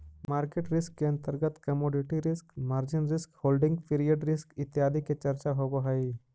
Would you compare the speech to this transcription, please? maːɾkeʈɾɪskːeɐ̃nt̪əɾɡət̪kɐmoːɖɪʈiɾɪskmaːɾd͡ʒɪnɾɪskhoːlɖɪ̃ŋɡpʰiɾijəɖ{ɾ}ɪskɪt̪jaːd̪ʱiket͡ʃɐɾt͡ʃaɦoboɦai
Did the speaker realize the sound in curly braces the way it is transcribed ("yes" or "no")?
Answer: yes